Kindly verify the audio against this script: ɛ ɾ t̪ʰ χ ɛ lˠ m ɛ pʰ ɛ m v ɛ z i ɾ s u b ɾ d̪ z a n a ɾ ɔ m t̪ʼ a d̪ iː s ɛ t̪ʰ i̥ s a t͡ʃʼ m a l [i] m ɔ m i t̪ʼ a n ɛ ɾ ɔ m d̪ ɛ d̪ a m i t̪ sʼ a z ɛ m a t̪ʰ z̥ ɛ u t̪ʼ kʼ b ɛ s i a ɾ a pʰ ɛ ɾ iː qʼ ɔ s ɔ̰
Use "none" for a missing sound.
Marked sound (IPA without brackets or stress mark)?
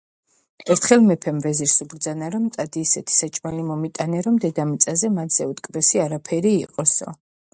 i